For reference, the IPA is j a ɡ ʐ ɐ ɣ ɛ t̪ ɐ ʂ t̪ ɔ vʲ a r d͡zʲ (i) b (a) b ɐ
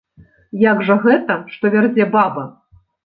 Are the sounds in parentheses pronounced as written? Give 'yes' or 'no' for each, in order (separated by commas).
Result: no, yes